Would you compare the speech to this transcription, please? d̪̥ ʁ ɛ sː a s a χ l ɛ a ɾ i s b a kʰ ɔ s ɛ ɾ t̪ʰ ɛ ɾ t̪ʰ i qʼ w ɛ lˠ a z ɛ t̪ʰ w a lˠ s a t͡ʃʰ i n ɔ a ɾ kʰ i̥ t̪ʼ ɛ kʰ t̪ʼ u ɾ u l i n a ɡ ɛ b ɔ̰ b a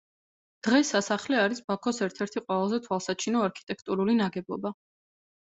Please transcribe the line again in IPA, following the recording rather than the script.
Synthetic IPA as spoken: d̪̥ ʁ ɛ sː a s a χ l ɛ a ɾ i s b a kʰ ɔ s ɛ ɾ t̪ʰ ɛ ɾ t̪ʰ i qʼ w ɛ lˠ a z ɛ t̪ʰ w a lˠ s a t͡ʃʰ i n ɔ a ɾ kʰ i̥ t̪ʼ ɛ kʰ t̪ʼ u ɾ u l i n a ɡ ɛ b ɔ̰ b a